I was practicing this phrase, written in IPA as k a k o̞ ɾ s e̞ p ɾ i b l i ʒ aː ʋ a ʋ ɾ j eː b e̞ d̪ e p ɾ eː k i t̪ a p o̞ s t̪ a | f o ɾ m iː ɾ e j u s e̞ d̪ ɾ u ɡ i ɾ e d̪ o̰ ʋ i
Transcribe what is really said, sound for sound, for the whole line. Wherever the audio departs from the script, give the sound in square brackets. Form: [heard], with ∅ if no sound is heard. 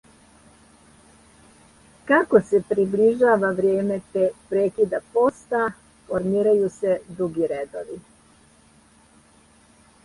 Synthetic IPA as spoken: k a k o̞ [∅] s e̞ p ɾ i b l i ʒ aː ʋ a ʋ ɾ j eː [m] e̞ [t̪] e p ɾ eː k i [d̪] a p o̞ s t̪ a | f o ɾ m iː ɾ [a] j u s e̞ d̪ ɾ u ɡ i ɾ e d̪ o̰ ʋ i